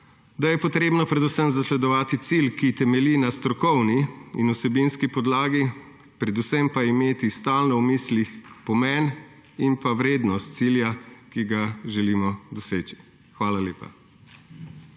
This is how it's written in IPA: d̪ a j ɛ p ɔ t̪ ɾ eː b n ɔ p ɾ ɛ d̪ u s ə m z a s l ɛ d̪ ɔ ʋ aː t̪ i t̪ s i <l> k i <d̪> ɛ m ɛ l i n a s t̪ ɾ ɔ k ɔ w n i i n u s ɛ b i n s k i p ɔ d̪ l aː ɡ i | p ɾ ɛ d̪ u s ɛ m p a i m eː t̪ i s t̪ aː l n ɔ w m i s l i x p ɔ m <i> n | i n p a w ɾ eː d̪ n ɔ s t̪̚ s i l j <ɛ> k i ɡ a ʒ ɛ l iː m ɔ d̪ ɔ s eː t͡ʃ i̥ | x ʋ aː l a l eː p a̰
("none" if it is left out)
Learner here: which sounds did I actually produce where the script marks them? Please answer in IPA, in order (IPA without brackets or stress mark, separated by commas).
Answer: l, t̪, ɛ, a